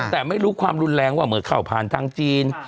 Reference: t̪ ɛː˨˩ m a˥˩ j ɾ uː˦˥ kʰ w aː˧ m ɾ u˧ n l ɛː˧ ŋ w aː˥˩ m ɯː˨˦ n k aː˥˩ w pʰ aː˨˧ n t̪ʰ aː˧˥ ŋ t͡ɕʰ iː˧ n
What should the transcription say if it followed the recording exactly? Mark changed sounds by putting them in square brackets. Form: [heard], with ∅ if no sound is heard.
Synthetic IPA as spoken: t̪ ɛː˨˩ m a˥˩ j ɾ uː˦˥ kʰ w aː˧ m ɾ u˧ n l ɛː˧ ŋ w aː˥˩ m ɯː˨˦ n [kʰ] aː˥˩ w pʰ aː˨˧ n t̪ʰ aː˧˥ ŋ [t͡ɕ] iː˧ n